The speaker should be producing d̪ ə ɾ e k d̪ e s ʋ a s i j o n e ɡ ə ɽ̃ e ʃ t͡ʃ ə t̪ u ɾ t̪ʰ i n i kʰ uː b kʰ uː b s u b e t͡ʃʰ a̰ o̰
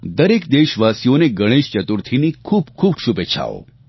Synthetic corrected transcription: d̪ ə ɾ e k d̪ e ʃ ʋ a s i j o n e ɡ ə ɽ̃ e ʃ t͡ʃ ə t̪ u ɾ t̪ʰ i n i kʰ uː b kʰ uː b ʃ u b e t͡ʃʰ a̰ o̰